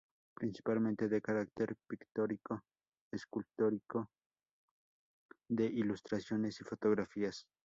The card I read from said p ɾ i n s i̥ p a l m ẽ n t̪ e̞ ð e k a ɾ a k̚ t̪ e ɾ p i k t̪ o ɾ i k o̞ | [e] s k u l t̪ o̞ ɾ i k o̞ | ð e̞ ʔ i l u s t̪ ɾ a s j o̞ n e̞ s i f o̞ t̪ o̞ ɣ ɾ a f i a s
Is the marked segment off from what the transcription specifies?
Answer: no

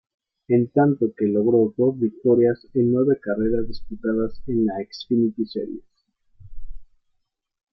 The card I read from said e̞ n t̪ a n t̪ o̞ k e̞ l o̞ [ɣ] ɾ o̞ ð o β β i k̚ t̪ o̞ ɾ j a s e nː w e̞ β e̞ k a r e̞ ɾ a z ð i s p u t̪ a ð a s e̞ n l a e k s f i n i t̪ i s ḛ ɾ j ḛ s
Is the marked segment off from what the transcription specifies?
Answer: no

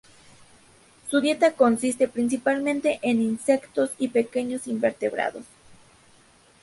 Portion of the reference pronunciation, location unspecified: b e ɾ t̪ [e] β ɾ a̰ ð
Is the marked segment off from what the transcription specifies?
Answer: no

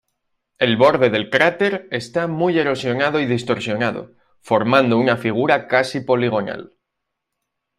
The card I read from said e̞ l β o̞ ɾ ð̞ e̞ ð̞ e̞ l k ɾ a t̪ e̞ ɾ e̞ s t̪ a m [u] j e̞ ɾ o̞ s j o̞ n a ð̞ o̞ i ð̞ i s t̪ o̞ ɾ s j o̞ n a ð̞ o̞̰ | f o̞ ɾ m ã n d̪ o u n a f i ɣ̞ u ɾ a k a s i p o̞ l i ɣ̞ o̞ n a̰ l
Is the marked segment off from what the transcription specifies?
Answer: no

